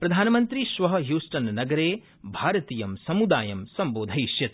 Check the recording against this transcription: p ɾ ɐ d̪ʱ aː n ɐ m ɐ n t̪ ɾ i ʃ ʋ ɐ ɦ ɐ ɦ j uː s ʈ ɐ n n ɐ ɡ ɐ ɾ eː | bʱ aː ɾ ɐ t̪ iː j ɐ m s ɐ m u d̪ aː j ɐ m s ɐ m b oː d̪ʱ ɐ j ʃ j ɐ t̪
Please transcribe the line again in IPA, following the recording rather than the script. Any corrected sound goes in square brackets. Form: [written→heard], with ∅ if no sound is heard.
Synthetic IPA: p ɾ ɐ d̪ʱ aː n ɐ m ɐ n t̪ ɾ i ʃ ʋ ɐ ɦ ɐ ɦ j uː s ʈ ɐ n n ɐ ɡ ɐ ɾ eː | bʱ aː ɾ ɐ t̪ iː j ɐ m s ɐ m u d̪ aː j ɐ m s ɐ m b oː d̪ʱ ɐ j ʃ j ɐ t̪